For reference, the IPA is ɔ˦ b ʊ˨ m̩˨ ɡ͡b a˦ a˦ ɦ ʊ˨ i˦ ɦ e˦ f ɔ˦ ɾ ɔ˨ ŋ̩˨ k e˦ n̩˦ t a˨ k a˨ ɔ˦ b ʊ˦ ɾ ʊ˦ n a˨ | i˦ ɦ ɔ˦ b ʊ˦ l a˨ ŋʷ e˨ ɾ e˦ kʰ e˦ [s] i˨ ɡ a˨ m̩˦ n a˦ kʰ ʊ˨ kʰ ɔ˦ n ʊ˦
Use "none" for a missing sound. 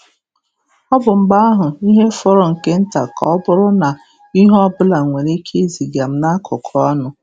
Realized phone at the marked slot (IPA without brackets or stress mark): z